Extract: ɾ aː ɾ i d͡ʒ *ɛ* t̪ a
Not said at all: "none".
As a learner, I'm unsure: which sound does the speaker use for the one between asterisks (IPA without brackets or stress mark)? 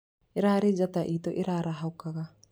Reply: a